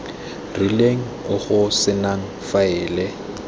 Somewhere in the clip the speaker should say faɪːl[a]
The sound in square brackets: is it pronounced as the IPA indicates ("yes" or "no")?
no